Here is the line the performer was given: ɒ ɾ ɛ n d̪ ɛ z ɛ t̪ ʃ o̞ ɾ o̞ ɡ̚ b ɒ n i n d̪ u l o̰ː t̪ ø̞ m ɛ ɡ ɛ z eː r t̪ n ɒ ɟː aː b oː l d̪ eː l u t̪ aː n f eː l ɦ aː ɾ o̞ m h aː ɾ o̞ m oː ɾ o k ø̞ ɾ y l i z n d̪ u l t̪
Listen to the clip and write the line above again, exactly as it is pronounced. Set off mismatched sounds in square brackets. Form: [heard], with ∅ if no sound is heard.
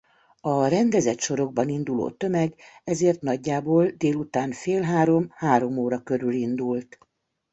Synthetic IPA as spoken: ɒ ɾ ɛ n d̪ ɛ z ɛ t̪ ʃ o̞ ɾ o̞ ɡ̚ b ɒ n i n d̪ u l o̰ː t̪ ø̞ m ɛ ɡ ɛ z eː r t̪ n ɒ ɟː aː b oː l d̪ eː l u t̪ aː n f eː l ɦ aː ɾ o̞ m h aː ɾ o̞ m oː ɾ [ɒ] k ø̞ ɾ y l i [∅] n d̪ u l t̪